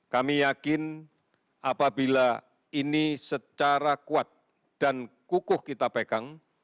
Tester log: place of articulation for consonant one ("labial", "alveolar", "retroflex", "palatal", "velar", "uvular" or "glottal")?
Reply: velar